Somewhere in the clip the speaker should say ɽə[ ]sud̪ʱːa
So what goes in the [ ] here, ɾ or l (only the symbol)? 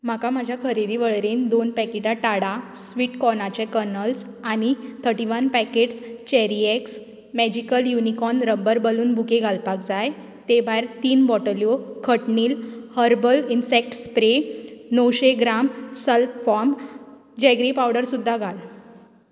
ɾ